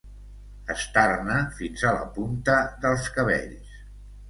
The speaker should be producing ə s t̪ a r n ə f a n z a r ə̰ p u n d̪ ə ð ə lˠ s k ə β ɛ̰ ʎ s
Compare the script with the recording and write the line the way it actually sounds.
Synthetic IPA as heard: ə s t̪ a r n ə f i n z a l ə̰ p u n t̪ ə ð ə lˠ s k ə β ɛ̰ ʎ s